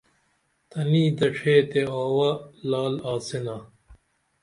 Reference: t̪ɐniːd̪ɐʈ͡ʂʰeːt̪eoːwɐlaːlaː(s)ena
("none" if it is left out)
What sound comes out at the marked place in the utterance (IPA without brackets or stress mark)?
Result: s